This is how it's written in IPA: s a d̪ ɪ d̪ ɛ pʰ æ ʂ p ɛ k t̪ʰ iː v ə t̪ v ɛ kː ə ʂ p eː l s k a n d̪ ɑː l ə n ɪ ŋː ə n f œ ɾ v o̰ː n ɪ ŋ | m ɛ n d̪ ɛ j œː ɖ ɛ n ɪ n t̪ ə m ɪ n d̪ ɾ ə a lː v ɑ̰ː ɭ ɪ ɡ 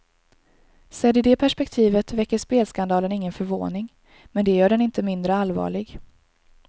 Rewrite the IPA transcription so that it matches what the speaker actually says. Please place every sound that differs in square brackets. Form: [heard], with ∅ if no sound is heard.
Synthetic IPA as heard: s [ɛ] d̪ ɪ d̪ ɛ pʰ æ ʂ p ɛ k t̪ʰ iː v ə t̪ v ɛ kː ə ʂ p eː l s k a n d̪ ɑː l ə n ɪ ŋː ə n f œ ɾ v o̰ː n ɪ ŋ | m ɛ n d̪ ɛ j œː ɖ ɛ n ɪ n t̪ ə m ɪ n d̪ ɾ ə a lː v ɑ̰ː ɭ ɪ ɡ